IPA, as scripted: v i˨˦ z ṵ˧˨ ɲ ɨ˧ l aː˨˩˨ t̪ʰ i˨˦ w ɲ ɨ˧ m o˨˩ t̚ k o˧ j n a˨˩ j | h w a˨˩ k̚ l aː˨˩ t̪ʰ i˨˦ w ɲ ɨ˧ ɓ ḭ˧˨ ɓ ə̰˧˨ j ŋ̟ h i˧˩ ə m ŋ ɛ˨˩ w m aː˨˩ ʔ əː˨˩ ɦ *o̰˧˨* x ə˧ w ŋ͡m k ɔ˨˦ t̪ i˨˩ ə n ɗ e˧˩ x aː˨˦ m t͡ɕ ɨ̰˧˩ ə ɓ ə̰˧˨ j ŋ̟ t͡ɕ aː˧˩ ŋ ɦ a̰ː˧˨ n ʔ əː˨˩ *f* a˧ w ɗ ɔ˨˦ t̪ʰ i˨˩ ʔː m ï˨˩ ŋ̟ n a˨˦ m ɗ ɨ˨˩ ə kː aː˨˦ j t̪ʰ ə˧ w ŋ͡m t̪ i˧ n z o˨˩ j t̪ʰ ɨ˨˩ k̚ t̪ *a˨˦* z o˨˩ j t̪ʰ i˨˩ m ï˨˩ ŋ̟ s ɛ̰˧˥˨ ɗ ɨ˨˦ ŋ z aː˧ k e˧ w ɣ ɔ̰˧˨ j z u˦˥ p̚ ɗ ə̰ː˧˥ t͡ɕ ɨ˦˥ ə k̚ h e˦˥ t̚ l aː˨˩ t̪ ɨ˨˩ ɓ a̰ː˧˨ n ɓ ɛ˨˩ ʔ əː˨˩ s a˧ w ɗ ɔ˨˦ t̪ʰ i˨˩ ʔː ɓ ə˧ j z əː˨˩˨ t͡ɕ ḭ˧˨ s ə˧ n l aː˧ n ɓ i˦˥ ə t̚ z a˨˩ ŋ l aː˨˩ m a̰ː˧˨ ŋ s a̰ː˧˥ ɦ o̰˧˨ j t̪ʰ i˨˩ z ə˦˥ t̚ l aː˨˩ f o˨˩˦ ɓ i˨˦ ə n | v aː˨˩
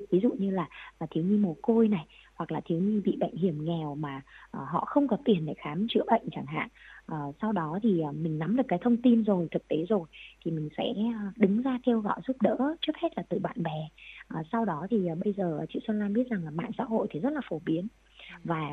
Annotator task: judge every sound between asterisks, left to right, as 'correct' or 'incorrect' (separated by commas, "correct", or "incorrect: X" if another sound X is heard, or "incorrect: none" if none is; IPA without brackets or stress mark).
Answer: incorrect: ɔ̰˧˨, incorrect: s, incorrect: e˨˦